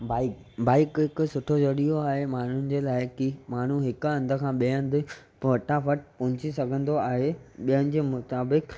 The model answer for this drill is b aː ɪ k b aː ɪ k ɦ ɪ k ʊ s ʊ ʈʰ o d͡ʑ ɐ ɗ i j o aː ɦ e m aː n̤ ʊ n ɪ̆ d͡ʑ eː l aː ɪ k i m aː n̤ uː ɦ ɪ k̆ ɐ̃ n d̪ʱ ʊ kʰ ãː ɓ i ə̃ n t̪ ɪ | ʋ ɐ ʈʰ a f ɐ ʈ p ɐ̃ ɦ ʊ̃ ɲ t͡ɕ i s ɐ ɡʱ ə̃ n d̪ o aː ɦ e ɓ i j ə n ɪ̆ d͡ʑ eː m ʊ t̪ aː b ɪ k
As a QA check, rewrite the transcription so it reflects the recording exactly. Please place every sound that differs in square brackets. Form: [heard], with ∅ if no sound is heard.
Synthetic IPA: b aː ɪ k b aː ɪ k ɦ ɪ k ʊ s ʊ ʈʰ o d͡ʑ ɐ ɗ i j o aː ɦ e m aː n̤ ʊ n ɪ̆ d͡ʑ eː l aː ɪ k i m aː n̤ [u] ɦ ɪ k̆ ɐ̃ n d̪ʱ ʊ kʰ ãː ɓ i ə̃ n [d̪] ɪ | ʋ ɐ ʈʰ a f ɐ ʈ p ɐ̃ ɦ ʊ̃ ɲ t͡ɕ i s ɐ ɡʱ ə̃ n d̪ o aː ɦ e ɓ i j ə n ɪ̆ d͡ʑ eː m ʊ t̪ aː b ɪ k